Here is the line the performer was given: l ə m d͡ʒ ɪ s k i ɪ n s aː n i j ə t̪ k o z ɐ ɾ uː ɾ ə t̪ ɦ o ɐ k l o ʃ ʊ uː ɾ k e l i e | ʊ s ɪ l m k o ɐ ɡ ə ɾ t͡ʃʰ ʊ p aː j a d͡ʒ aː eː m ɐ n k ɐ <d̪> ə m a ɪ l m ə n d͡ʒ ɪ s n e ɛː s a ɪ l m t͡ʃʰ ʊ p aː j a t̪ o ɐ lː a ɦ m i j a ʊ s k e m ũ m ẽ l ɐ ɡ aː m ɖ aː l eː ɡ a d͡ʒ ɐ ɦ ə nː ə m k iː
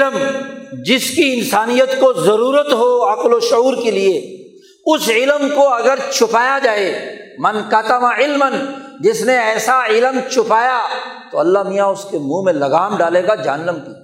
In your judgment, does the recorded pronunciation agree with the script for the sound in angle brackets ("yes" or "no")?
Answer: no